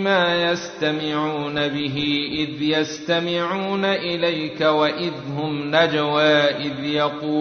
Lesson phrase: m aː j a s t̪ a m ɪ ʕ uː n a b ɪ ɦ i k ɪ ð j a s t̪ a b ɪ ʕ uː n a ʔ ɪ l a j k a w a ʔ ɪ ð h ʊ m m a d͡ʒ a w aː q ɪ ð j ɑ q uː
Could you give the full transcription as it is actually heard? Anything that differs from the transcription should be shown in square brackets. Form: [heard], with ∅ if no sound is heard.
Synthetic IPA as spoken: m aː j a s t̪ a m ɪ ʕ uː n a b ɪ ɦ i [ʔ] ɪ ð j a s t̪ a [m] ɪ ʕ uː n a ʔ ɪ l a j k a w a ʔ ɪ ð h ʊ m [n] a d͡ʒ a w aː [ʔ] ɪ ð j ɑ q uː